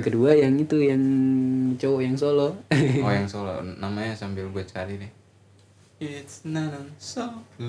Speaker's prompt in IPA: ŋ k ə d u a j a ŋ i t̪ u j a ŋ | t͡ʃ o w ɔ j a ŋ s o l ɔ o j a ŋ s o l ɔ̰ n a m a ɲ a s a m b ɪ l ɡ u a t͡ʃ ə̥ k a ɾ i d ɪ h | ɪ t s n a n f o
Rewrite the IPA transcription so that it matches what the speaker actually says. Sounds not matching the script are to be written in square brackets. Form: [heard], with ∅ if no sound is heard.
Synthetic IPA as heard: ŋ k ə d u a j a ŋ i t̪ u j a ŋ | t͡ʃ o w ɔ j a ŋ s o l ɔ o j a ŋ s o l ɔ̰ n a m a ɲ a s a m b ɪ l ɡ u a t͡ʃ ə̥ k a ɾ i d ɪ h | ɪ t s n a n [s] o